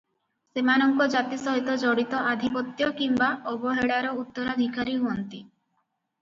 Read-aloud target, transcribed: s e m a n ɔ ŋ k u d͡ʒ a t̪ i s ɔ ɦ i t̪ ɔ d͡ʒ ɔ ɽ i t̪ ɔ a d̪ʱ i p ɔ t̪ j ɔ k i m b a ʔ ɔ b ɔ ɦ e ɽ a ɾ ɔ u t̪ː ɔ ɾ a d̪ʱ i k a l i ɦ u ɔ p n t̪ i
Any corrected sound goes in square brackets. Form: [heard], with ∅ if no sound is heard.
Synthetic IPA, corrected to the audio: s e m a n ɔ ŋ k [ɔ] d͡ʒ a t̪ i s ɔ ɦ i t̪ ɔ d͡ʒ ɔ ɽ i t̪ ɔ a d̪ʱ i p ɔ t̪ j ɔ k i m b a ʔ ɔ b ɔ ɦ e ɽ a ɾ ɔ u t̪ː ɔ ɾ a d̪ʱ i k a [ɾ] i ɦ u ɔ [∅] n t̪ i